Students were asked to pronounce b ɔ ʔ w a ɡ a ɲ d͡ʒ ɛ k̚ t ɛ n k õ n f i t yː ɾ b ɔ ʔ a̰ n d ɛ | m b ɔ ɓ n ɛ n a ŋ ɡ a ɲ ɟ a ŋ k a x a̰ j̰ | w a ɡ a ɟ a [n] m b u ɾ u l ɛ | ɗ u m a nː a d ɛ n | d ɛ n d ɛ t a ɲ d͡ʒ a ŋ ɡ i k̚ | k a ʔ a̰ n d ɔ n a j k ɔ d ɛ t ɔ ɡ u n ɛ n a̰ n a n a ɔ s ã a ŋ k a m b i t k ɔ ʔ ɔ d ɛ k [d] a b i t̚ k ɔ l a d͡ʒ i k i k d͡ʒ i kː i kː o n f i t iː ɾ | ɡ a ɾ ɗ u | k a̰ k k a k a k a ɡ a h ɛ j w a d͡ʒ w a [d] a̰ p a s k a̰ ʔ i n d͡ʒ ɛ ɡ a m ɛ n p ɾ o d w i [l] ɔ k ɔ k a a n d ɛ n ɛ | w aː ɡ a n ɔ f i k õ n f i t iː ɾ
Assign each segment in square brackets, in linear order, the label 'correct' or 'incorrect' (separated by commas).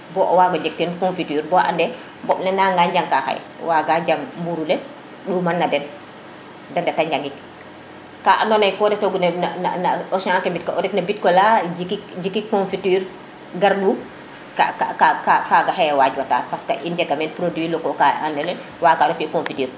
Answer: incorrect, incorrect, incorrect, correct